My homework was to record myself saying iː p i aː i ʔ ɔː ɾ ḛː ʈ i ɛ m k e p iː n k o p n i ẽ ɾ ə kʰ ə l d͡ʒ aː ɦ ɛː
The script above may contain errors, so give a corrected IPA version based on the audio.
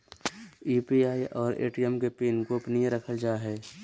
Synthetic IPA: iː p i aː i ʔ ɔː ɾ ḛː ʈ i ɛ m k e p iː n k o p n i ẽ ɾ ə kʰ ə l d͡ʒ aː ɦ ɛː